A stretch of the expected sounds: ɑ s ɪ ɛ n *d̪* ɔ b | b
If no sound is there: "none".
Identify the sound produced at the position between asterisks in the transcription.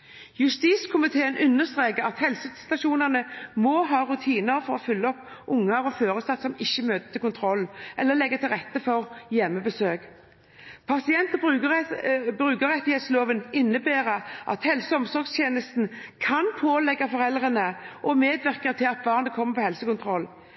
t̪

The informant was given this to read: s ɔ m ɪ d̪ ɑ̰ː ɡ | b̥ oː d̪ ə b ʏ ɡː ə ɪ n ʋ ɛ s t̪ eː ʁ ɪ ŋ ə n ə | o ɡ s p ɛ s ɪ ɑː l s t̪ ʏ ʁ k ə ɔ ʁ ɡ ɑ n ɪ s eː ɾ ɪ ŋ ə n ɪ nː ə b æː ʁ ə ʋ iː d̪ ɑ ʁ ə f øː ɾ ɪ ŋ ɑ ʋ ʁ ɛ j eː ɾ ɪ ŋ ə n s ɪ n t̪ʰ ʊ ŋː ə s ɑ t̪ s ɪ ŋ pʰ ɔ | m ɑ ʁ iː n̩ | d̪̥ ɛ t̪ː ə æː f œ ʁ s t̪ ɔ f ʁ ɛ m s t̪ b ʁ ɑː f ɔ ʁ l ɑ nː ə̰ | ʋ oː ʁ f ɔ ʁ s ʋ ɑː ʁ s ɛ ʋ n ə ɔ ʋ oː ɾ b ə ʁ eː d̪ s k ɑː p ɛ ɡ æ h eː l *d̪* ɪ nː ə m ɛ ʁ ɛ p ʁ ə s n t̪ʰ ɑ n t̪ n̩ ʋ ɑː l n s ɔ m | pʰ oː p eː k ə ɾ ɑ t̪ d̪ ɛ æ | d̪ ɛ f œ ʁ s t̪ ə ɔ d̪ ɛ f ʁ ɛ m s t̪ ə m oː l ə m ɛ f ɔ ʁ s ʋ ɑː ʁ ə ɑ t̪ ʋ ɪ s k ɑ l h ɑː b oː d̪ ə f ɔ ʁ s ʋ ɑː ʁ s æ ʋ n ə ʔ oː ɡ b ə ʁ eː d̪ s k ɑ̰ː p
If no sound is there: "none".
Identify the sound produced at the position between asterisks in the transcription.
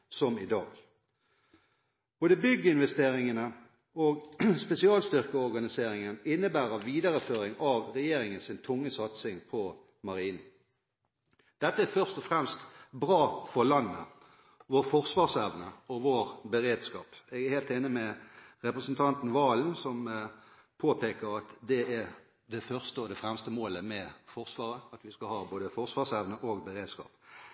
t̪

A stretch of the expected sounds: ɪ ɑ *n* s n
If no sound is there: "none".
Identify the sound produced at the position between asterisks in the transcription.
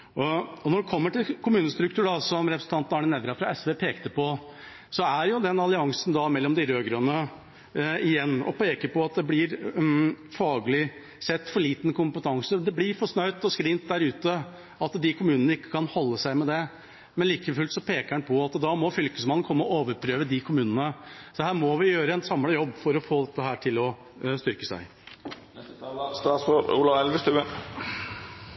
ŋ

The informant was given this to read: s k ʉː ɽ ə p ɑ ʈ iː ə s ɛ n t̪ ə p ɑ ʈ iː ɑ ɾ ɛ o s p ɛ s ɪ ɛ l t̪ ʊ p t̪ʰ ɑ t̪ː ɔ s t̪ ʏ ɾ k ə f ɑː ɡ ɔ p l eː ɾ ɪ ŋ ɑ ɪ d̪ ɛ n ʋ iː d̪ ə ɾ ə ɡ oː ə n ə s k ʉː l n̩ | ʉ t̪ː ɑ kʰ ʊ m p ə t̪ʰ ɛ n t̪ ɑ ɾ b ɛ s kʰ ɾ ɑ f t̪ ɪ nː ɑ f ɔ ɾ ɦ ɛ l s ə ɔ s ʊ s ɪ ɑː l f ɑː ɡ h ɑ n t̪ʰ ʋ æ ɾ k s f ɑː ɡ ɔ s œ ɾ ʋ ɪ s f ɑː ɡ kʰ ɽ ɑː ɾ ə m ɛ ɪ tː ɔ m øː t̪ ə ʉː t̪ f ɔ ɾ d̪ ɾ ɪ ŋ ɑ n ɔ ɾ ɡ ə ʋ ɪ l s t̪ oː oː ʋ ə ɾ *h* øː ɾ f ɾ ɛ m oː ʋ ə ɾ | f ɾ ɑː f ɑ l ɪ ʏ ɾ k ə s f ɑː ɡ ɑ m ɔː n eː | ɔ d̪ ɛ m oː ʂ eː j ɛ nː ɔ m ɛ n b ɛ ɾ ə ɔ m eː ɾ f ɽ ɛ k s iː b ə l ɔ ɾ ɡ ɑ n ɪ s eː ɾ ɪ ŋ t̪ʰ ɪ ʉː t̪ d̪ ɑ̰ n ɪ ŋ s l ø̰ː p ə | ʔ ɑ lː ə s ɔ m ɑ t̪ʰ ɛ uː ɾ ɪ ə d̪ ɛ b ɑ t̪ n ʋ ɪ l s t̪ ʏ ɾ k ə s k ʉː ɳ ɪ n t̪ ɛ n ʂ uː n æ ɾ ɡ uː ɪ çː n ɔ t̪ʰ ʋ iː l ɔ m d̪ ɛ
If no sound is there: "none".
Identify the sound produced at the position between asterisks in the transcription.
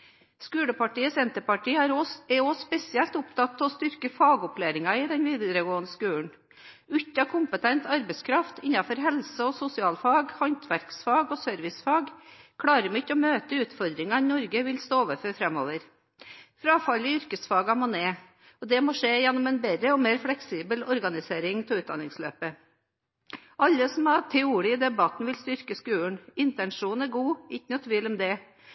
f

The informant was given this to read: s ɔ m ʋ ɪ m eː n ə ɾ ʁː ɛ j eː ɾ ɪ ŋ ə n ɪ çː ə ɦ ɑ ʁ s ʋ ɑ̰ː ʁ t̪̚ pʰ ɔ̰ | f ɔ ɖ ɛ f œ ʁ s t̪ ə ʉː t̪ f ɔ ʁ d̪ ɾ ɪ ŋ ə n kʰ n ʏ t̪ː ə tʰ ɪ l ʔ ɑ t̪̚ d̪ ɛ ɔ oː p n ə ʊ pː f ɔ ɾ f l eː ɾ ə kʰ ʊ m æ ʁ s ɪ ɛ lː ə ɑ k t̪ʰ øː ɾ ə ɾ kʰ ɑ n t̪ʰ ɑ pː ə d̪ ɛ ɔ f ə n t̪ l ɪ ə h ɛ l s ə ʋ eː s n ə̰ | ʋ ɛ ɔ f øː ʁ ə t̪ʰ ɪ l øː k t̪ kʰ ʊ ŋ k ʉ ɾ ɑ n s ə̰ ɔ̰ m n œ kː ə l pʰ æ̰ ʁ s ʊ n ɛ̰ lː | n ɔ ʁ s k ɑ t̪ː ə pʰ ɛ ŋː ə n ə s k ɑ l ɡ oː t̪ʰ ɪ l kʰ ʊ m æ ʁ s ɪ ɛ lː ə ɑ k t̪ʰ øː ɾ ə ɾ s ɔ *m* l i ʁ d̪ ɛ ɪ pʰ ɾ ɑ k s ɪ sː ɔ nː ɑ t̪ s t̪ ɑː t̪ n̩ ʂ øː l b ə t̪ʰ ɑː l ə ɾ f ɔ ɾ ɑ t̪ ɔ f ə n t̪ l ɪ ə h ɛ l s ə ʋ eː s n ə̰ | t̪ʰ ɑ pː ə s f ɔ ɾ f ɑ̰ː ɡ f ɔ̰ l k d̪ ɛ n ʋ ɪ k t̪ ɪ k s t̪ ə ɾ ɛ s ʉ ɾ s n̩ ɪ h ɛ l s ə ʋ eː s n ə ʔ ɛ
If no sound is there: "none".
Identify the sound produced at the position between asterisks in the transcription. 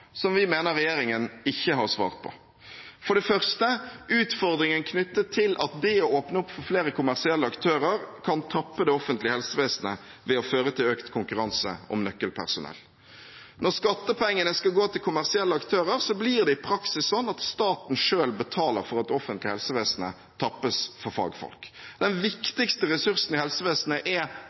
b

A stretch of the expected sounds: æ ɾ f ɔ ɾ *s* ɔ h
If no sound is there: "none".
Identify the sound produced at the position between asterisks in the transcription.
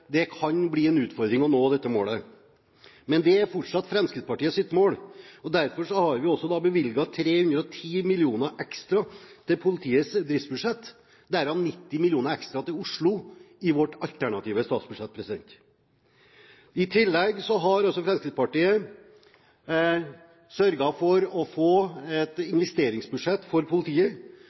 ʂ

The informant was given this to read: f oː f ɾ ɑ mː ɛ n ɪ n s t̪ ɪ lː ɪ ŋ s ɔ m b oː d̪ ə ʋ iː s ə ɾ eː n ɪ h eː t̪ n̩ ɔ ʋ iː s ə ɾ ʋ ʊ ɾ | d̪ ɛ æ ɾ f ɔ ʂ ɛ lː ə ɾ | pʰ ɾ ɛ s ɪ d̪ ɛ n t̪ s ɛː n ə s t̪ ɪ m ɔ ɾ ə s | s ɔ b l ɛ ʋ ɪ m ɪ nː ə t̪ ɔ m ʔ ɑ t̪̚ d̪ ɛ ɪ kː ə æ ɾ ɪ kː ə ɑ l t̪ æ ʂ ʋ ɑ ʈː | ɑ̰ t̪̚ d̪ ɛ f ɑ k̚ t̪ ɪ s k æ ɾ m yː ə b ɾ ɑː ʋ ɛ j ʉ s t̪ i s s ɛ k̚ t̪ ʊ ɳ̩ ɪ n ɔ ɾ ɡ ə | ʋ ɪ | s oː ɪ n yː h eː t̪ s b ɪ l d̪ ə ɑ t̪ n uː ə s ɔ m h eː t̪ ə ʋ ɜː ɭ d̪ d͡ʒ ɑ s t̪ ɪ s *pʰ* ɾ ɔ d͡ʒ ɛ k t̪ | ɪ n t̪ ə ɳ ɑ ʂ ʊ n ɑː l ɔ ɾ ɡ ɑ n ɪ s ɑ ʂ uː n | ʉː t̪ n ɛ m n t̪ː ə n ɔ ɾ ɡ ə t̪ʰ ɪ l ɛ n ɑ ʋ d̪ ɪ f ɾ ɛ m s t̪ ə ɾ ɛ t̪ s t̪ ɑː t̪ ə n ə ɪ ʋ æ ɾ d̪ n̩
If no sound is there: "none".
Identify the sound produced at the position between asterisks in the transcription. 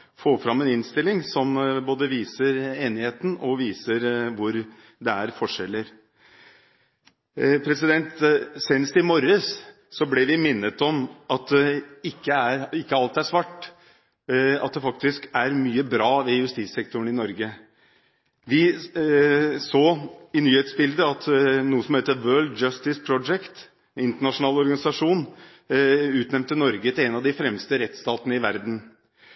pʰ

